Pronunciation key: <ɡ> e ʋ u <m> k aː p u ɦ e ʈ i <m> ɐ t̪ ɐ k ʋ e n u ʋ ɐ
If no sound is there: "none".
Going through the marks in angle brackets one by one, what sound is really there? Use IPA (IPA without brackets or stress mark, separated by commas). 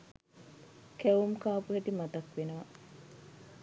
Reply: k, m, m